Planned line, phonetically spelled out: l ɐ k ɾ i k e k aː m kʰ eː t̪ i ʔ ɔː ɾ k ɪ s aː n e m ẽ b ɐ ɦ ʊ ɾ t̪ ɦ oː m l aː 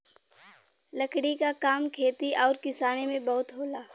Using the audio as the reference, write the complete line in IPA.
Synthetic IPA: l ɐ k ɽ i k a k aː m kʰ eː t̪ i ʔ ɔː ɾ k ɪ s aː n e m ẽ b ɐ ɦ ʊ t̪ ɦ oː l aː